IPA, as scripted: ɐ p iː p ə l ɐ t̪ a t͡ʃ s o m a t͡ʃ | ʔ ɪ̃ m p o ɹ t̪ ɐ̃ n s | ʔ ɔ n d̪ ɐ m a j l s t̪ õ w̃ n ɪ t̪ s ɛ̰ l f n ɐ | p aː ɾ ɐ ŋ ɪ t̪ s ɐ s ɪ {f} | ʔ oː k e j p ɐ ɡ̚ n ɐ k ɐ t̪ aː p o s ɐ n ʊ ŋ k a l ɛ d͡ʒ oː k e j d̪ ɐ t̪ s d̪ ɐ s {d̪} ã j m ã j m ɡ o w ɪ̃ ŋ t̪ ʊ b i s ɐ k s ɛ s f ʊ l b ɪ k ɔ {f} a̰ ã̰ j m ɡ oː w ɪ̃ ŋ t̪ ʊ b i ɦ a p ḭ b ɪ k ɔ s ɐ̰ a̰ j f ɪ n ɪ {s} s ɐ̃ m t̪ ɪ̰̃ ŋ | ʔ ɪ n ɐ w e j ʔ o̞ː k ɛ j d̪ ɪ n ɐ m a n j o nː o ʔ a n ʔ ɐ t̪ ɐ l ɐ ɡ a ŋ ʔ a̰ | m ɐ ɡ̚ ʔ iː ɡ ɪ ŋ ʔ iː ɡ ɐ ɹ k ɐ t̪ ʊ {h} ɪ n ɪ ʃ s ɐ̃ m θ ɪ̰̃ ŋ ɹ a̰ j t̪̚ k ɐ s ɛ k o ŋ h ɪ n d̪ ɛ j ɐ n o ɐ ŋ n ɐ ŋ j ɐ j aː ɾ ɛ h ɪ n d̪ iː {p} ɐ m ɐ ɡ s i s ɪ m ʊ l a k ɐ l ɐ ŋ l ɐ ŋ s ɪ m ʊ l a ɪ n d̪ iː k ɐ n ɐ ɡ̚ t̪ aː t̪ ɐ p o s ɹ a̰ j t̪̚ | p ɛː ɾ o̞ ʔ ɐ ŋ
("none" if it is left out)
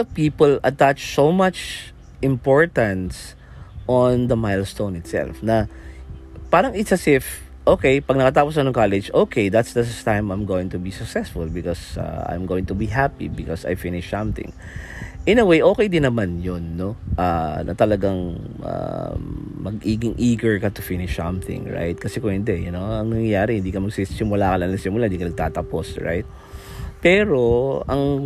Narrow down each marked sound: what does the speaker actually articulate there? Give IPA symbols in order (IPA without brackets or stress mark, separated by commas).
f, t̪, s, ʃ, f, k